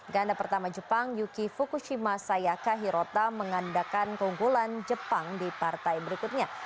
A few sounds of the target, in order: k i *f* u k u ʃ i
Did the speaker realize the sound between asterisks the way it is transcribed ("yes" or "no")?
yes